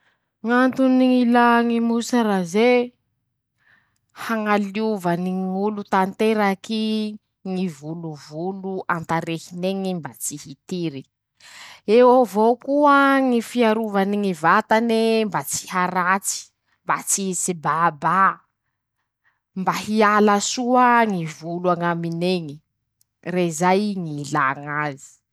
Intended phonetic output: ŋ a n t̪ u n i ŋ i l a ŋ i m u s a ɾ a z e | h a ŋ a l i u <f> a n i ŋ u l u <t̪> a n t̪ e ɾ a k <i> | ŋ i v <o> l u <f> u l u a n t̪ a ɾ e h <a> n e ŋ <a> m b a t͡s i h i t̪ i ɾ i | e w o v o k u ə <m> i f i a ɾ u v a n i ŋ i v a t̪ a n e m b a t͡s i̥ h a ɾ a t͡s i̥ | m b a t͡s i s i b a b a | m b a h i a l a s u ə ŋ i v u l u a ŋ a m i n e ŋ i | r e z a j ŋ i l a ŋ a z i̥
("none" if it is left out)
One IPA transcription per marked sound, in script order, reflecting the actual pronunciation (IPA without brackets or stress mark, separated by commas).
v, t̪, i, u, v, i, i, ŋ